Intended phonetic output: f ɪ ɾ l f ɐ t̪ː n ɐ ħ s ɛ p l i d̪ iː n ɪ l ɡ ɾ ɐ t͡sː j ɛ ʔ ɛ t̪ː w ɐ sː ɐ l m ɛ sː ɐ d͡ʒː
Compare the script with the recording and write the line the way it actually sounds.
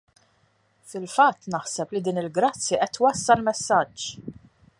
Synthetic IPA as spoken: f ɪ l f ɐ t̪ː n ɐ ħ s ɛ p l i d̪ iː n ɪ l ɡ ɾ ɐ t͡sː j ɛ ʔ ɛ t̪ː w ɐ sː ɐ l m ɛ sː ɐ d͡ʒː